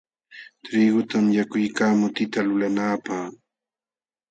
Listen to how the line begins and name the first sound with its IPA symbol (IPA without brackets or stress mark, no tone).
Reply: t̪